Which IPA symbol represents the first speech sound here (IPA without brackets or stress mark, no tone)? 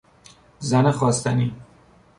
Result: z